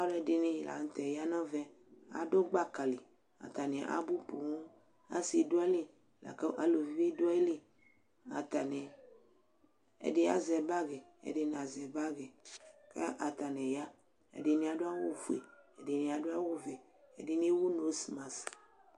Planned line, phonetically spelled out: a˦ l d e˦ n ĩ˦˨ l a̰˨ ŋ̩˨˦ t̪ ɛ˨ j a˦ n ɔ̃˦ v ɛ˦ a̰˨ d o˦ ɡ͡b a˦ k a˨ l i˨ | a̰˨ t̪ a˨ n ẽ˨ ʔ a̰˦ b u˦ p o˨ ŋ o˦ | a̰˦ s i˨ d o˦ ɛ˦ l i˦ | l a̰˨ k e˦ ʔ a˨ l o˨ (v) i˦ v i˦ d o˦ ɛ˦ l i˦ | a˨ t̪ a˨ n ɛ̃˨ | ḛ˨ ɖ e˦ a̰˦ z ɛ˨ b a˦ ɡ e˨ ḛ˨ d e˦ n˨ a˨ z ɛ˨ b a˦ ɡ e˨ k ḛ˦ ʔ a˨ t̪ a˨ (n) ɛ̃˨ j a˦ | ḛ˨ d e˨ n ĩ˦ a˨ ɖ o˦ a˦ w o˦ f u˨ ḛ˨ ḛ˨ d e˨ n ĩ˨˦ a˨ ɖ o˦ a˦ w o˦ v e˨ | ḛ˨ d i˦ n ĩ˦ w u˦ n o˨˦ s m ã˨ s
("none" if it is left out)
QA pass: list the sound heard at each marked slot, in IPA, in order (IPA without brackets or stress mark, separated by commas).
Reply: v, n